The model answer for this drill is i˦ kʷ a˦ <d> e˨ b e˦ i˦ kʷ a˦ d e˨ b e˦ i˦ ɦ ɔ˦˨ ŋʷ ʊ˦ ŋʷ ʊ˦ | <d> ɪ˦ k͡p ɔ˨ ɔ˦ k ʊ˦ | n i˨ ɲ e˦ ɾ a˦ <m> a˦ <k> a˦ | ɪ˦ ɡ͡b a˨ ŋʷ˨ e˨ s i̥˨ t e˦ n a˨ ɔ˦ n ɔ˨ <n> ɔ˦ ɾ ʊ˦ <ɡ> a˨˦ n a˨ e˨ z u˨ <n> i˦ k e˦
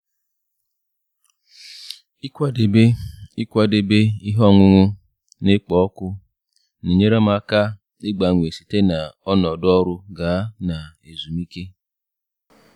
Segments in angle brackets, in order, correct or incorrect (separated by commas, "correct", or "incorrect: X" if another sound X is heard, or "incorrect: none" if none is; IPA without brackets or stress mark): correct, incorrect: n, correct, correct, incorrect: d, correct, incorrect: m